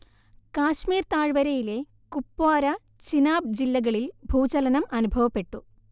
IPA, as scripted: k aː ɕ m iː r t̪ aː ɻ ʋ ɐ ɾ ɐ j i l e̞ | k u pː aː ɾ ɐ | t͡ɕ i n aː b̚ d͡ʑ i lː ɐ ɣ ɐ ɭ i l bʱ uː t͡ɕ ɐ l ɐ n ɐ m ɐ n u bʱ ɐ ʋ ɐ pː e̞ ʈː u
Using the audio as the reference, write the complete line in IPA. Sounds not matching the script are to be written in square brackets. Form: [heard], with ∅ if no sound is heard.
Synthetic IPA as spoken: k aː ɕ m iː r t̪ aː ɻ ʋ ɐ ɾ ɐ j i l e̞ | k u pː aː ɾ ɐ | t͡ɕ i n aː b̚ d͡ʑ i lː ɐ ɣ ɐ ɭ i l bʱ uː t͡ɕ ɐ l ɐ n ɐ m ɐ n u bʱ ɐ ʋ ɐ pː e̞ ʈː u

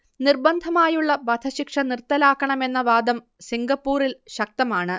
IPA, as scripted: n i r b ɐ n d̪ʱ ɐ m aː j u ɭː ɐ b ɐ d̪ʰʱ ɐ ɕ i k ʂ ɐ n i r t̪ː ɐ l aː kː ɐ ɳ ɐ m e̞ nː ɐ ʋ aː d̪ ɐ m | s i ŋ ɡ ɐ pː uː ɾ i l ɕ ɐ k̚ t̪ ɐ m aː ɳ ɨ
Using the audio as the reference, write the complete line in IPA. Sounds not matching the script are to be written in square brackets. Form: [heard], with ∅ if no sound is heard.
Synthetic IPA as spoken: n i r b ɐ n d̪ʱ ɐ m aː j u ɭː ɐ b ɐ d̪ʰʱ ɐ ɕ i k ʂ ɐ n i r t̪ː ɐ l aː kː ɐ ɳ ɐ m e̞ nː ɐ ʋ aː d̪ ɐ m | s i ŋ ɡ ɐ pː uː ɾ i l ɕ ɐ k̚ t̪ ɐ m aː ɳ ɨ

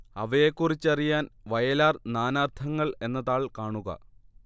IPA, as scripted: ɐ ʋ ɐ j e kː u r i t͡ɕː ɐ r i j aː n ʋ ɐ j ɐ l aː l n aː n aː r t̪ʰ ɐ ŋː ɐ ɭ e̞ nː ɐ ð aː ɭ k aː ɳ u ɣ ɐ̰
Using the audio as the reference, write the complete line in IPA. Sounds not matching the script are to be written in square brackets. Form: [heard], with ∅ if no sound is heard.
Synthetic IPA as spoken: ɐ ʋ ɐ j e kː u r i t͡ɕː ɐ r i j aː n ʋ ɐ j ɐ l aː [r] n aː n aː r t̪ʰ ɐ ŋː ɐ ɭ e̞ nː ɐ ð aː ɭ k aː ɳ u ɣ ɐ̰

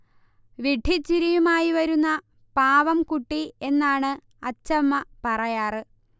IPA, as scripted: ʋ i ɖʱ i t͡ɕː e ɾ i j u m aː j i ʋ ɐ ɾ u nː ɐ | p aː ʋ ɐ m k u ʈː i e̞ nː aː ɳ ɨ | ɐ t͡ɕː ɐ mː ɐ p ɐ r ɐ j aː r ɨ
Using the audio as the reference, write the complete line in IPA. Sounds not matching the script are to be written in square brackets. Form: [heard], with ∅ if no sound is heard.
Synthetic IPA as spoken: ʋ i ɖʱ i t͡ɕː [i] ɾ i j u m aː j i ʋ ɐ ɾ u nː ɐ | p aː ʋ ɐ m k u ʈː i e̞ nː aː ɳ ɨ | ɐ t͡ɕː ɐ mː ɐ p ɐ r ɐ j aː r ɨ

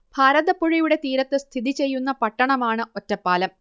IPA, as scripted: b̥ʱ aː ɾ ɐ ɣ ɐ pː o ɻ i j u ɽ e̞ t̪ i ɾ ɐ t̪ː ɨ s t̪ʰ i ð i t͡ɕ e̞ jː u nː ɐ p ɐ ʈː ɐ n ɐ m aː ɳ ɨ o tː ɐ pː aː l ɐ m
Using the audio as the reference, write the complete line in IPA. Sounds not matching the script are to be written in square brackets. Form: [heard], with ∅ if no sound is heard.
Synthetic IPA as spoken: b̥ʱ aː ɾ ɐ [ð] ɐ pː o ɻ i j u ɽ e̞ t̪ [iː] ɾ ɐ t̪ː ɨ s t̪ʰ i ð i t͡ɕ e̞ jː u nː ɐ p ɐ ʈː ɐ [ɳ] ɐ m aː ɳ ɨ o tː ɐ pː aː l ɐ m

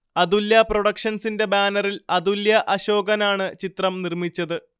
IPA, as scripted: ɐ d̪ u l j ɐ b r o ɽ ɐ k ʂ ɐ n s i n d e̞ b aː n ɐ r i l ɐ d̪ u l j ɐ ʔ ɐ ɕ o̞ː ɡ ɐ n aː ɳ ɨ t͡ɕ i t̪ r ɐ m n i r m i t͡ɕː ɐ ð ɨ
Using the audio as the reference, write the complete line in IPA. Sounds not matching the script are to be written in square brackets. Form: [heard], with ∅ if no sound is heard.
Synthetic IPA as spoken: ɐ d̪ u l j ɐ [p] r o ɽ ɐ k ʂ ɐ n s i n d e̞ b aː n ɐ r i l ɐ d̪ u l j ɐ ʔ ɐ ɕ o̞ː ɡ ɐ n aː ɳ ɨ t͡ɕ i t̪ r ɐ m n i r m i t͡ɕː ɐ ð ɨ

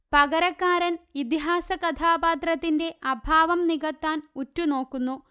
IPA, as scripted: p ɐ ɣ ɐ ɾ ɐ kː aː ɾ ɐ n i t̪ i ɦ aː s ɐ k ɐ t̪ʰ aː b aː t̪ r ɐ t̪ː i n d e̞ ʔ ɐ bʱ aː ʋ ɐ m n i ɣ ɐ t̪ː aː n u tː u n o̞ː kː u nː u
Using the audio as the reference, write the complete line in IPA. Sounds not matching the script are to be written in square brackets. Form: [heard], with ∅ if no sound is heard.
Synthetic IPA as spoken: p ɐ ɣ ɐ ɾ ɐ kː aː ɾ ɐ n i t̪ i ɦ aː s ɐ k ɐ t̪ʰ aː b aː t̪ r ɐ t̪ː i n d e̞ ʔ ɐ bʱ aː ʋ ɐ m n i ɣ ɐ t̪ː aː n u tː u n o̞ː kː u nː u

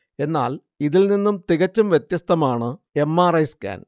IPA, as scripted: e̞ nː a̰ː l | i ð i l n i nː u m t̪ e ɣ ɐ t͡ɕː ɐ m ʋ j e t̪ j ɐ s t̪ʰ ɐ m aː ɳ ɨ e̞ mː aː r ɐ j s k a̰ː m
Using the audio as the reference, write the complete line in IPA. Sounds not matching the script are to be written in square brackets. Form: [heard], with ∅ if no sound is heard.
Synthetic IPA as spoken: e̞ nː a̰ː l | i ð i l n i nː u m t̪ [i] ɣ ɐ t͡ɕː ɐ m ʋ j e t̪ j ɐ s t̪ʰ ɐ m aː ɳ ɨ e̞ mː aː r ɐ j s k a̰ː [n]

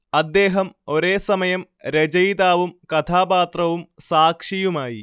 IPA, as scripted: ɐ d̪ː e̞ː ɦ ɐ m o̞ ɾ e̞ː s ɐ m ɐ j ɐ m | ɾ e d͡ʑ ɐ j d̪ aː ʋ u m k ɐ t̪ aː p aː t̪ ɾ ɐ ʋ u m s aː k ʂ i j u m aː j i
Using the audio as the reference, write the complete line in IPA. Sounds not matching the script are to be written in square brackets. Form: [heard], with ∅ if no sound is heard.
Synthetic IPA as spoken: ɐ d̪ː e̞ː ɦ ɐ m o̞ ɾ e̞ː s ɐ m ɐ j ɐ m | ɾ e d͡ʑ ɐ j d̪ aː ʋ u m k ɐ [t̪ʰ] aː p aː t̪ [r] ɐ ʋ u m s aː k ʂ i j u m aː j i

